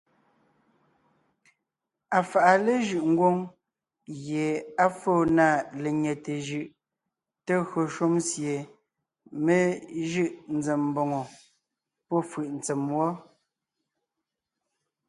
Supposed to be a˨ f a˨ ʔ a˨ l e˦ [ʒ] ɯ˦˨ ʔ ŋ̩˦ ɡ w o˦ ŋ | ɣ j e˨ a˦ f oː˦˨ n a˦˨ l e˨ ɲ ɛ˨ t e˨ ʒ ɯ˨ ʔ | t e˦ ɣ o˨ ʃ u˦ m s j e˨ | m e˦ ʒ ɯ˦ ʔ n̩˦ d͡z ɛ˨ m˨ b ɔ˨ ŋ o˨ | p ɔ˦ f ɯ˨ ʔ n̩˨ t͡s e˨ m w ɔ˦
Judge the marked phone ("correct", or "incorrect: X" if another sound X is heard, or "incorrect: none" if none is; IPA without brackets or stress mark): correct